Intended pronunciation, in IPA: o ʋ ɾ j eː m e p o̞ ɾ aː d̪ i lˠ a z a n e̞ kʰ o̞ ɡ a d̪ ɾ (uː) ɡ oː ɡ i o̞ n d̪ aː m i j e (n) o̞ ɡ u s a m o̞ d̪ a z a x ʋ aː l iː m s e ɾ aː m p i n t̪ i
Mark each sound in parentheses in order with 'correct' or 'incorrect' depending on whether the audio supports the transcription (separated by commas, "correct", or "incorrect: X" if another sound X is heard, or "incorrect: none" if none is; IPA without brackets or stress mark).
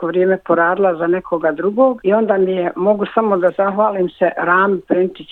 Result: incorrect: u, incorrect: m